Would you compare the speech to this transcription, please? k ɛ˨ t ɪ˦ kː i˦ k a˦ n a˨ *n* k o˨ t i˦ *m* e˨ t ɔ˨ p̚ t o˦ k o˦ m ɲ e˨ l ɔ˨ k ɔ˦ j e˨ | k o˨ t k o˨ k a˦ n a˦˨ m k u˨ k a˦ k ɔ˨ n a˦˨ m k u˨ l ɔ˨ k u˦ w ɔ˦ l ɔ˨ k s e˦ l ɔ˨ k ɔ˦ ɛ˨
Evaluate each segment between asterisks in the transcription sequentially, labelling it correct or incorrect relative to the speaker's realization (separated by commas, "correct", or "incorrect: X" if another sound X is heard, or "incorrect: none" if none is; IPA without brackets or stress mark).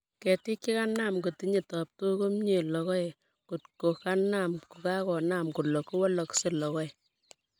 incorrect: m, incorrect: ɲ